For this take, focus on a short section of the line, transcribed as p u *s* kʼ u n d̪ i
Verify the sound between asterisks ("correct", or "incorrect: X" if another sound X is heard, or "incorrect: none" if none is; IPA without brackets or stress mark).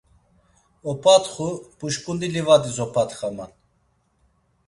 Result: incorrect: ʃ